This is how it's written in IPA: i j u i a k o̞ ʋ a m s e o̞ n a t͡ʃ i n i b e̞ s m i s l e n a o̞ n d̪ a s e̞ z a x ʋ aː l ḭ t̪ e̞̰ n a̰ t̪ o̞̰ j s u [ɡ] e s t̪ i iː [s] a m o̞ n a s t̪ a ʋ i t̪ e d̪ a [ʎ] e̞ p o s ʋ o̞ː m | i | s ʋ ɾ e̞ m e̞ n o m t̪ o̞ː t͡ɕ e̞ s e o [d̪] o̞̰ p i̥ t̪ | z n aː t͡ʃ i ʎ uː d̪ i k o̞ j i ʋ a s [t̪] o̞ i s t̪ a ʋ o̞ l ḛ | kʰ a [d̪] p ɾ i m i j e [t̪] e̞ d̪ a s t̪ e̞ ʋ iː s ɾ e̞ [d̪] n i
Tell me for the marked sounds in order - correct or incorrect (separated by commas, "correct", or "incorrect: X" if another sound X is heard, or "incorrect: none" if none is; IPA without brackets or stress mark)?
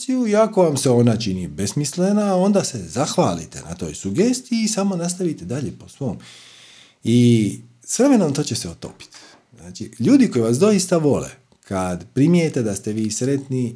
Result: correct, correct, correct, incorrect: t̪, incorrect: d̪, correct, correct, incorrect: t̪